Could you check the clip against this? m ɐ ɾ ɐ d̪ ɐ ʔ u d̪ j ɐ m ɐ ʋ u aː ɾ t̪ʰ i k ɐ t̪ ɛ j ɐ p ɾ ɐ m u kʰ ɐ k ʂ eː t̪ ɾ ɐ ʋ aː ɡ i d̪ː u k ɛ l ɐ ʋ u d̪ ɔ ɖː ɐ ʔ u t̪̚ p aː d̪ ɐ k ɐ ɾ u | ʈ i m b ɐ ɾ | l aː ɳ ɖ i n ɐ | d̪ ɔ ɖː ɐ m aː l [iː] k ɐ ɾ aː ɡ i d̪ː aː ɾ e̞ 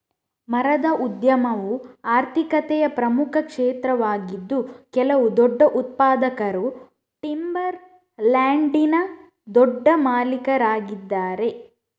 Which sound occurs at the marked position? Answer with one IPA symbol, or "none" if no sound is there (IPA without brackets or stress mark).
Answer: i